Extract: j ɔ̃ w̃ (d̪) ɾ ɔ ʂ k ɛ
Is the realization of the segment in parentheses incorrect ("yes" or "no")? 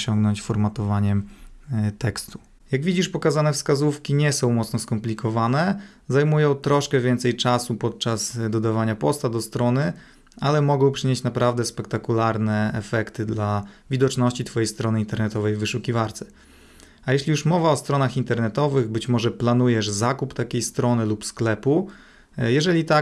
yes